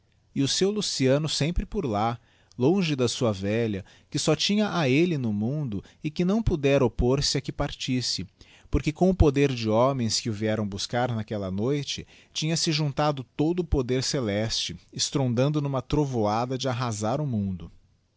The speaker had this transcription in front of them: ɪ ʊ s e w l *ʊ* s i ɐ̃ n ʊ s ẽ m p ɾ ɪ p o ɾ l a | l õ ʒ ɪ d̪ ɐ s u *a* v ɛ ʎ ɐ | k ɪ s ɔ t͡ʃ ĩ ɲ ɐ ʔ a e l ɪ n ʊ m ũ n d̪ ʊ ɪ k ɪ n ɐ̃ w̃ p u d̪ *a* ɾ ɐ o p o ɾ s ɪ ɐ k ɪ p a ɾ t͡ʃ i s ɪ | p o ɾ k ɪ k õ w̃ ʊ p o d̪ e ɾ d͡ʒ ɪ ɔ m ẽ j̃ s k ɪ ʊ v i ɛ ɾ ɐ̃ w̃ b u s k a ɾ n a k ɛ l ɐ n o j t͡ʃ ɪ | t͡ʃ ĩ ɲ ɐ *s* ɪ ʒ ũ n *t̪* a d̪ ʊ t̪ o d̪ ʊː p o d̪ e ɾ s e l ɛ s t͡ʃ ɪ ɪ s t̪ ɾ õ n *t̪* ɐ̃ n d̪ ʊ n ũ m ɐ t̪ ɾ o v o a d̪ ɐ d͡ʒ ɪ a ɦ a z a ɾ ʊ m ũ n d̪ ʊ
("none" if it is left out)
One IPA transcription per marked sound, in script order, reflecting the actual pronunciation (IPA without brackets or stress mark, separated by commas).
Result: u, ɐ, ɛ, s, t̪, d̪